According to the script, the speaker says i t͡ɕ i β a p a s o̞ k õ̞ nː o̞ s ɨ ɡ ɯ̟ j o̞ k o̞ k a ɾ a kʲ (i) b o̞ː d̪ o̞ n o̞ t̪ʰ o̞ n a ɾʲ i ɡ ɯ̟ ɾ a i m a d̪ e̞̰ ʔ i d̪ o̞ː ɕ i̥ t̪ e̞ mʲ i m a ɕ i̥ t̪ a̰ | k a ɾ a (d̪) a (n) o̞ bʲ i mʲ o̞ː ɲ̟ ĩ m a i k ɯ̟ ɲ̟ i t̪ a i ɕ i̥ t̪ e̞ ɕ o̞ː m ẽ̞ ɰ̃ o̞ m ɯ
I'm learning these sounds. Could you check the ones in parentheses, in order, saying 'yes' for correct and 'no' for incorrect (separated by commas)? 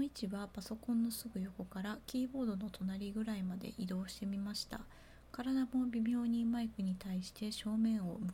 no, yes, no